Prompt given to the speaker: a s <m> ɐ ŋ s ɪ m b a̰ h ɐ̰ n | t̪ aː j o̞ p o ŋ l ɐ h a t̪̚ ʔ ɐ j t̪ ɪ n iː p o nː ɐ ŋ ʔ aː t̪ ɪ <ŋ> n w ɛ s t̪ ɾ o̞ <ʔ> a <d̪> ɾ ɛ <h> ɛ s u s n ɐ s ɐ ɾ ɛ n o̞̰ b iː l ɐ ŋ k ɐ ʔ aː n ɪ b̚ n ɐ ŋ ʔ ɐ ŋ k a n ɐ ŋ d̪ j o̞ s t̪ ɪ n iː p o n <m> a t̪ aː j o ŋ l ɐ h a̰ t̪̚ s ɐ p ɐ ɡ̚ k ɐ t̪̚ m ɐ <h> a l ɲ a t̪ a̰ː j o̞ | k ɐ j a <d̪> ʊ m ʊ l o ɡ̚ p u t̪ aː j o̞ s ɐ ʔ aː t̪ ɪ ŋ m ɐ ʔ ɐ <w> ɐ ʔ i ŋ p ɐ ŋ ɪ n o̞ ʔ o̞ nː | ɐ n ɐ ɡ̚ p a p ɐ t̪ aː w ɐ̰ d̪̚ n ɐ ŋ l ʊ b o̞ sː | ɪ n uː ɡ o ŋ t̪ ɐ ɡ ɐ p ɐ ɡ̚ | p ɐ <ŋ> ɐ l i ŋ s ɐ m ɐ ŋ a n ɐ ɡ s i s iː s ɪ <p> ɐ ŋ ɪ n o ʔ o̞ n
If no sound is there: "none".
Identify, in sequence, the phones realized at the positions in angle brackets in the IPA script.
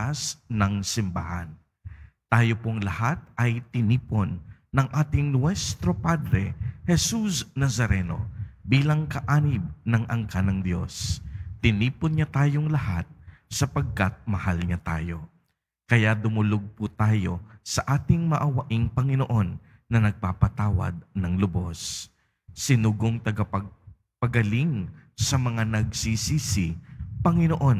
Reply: n, ŋ, p, d̪, h, ɲ, h, d̪, w, ɡ, p

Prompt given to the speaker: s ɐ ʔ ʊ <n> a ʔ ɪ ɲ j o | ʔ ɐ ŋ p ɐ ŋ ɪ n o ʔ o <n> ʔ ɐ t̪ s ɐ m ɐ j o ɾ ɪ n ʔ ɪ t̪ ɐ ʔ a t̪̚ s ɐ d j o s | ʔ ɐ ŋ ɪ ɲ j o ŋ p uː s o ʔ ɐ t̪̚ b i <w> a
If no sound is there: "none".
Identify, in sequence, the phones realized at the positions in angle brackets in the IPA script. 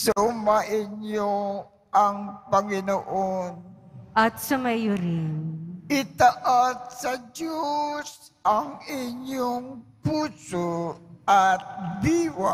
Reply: m, n, w

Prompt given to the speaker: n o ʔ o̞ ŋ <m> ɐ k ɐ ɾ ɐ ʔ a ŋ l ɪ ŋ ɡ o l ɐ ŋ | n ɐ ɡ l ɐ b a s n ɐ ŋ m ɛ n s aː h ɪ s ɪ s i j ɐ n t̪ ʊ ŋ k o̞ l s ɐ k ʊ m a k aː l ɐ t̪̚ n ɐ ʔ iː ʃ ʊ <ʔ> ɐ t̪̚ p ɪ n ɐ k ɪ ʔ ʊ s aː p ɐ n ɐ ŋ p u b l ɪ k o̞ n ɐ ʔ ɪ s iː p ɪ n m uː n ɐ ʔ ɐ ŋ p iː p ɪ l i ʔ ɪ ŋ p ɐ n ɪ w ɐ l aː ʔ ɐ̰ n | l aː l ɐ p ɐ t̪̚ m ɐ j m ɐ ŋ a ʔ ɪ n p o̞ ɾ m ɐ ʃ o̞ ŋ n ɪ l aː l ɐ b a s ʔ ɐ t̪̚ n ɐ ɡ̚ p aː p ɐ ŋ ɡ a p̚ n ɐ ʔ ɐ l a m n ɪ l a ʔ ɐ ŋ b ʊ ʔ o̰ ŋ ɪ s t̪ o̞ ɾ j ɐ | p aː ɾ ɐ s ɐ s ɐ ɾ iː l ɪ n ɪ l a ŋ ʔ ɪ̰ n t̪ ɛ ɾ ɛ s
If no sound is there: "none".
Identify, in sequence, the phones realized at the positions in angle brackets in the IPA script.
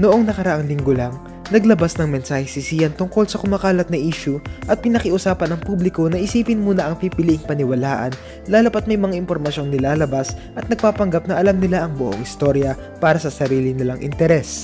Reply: n, ʔ

